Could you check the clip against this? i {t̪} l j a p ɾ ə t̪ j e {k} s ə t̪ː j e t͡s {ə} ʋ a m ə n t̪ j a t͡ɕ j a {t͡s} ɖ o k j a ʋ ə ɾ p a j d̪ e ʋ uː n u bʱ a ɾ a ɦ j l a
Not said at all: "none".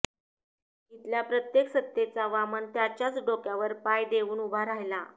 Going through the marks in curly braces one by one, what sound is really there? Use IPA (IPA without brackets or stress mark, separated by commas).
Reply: t̪, k, a, t͡s